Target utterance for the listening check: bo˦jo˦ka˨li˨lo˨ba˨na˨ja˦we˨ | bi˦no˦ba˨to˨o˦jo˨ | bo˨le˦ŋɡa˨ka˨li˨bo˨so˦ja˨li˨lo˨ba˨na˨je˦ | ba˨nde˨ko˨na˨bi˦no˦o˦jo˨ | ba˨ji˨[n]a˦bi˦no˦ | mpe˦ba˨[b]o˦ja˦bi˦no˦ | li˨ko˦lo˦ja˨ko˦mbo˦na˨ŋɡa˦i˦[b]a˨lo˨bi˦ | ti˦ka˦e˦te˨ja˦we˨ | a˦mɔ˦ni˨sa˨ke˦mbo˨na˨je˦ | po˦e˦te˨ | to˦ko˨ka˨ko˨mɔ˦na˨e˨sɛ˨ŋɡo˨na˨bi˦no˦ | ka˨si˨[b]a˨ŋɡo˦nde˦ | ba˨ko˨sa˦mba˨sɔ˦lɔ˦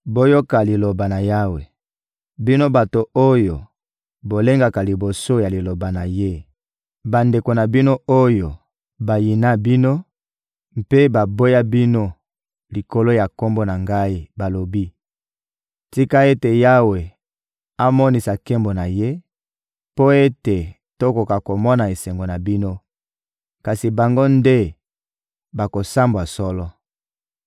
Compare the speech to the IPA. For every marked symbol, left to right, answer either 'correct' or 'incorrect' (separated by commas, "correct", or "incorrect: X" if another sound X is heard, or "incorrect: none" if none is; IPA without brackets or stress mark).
correct, correct, correct, correct